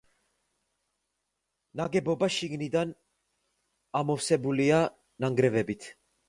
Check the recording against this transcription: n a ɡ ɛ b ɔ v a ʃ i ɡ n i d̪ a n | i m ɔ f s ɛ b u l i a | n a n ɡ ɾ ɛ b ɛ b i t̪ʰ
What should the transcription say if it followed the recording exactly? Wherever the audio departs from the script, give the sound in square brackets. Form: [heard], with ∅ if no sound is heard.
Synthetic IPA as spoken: n a ɡ ɛ b ɔ [b] a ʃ i ɡ n i d̪ a n | [a] m ɔ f s ɛ b u l i a | n a [ŋ] ɡ ɾ ɛ [v] ɛ b i t̪ʰ